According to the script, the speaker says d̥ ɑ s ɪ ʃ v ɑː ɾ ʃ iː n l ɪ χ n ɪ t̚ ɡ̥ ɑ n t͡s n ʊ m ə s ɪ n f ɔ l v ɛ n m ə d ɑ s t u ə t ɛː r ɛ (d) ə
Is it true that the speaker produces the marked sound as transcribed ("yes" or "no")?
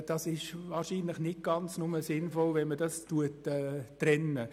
no